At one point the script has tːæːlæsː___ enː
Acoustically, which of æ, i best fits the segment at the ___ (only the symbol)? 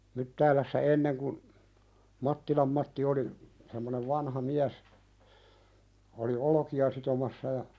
æ